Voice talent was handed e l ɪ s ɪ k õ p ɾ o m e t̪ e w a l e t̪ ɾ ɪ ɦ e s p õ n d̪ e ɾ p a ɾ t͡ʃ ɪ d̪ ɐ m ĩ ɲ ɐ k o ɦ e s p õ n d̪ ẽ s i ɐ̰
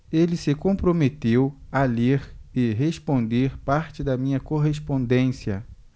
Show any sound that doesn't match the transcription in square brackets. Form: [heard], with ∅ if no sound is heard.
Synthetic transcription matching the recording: e l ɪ s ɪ k õ p ɾ o m e t̪ e w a l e [∅] ɾ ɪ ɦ e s p õ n d̪ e ɾ p a ɾ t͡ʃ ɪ d̪ ɐ m ĩ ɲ ɐ k o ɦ e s p õ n d̪ ẽ s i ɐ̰